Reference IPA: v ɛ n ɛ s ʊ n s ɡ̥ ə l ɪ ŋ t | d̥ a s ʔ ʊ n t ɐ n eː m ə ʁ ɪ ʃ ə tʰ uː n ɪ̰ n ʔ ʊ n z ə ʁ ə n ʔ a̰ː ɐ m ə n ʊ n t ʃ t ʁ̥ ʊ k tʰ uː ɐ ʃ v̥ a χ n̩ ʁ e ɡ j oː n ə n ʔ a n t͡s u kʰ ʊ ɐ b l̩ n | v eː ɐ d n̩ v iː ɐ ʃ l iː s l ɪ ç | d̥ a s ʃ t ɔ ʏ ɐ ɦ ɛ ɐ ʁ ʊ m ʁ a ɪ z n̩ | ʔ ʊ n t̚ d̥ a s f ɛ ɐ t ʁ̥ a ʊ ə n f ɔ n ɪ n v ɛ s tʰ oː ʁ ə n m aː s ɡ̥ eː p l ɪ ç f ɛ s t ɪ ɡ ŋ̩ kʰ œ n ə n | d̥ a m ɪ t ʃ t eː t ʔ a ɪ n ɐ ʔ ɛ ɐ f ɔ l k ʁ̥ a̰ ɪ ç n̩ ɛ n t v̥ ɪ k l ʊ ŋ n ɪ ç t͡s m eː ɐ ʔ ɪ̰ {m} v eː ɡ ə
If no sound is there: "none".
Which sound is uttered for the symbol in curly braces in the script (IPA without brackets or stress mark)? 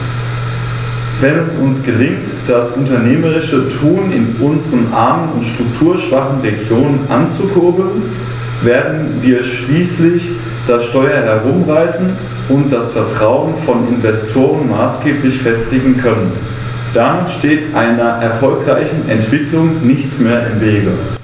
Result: m